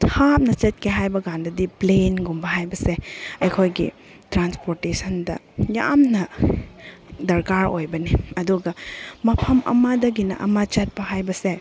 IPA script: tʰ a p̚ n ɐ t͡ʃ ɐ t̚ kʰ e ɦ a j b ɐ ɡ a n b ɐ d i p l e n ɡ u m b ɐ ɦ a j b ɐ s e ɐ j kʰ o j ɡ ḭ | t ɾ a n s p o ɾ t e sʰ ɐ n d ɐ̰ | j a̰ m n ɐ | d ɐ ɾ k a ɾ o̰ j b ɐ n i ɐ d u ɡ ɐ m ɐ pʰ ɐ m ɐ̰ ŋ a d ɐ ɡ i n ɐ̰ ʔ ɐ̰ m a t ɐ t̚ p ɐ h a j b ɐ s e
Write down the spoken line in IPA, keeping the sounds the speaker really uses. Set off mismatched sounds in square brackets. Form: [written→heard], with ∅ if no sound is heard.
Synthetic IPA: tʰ a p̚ n ɐ t͡ʃ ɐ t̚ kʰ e ɦ a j b ɐ ɡ a n [b→d] ɐ d i p l e n ɡ u m b ɐ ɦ a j b ɐ s e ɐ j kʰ o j ɡ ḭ | t ɾ a n s p o ɾ t e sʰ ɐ n d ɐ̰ | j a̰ m n ɐ | d ɐ ɾ k a ɾ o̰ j b ɐ n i ɐ d u ɡ ɐ m ɐ pʰ ɐ m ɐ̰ [ŋ→m] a d ɐ ɡ i n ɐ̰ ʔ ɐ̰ m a [t→t͡ʃ] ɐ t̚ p ɐ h a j b ɐ s e